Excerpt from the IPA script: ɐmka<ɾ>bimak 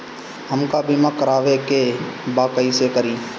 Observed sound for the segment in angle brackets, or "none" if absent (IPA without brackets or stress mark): none